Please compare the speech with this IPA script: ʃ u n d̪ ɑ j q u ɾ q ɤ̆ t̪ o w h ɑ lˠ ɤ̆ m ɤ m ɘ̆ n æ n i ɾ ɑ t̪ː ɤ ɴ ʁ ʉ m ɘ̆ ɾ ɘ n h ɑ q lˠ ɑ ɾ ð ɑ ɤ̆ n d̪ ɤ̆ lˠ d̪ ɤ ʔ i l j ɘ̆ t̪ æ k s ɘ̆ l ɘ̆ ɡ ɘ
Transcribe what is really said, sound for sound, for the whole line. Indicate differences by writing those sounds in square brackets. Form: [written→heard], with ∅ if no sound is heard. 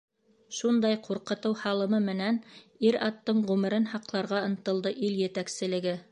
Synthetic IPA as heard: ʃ u n d̪ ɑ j q u ɾ q ɤ̆ t̪ [o→ɤ] w h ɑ lˠ ɤ̆ m ɤ m ɘ̆ n æ n i ɾ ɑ t̪ː ɤ ɴ ʁ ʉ m ɘ̆ ɾ ɘ n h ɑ q lˠ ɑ ɾ [ð→ʁ] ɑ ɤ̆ n [d̪→t̪] ɤ̆ lˠ d̪ ɤ ʔ i l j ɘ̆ t̪ æ k s ɘ̆ l ɘ̆ ɡ ɘ